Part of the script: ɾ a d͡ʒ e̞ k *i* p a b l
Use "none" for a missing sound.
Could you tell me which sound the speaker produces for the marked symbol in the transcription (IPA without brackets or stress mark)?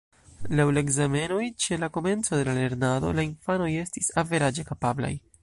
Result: a